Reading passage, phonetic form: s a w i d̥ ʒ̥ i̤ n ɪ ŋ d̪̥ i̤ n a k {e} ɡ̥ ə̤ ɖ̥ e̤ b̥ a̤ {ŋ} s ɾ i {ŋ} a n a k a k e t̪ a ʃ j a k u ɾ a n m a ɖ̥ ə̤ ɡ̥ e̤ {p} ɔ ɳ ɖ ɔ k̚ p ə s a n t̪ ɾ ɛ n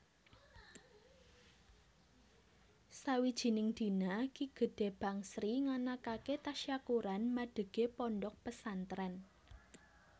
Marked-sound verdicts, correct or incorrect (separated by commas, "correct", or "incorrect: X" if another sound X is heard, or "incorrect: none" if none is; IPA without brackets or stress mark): incorrect: i, correct, correct, correct